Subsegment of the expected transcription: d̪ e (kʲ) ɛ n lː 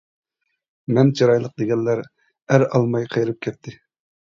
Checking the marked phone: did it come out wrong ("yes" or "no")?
yes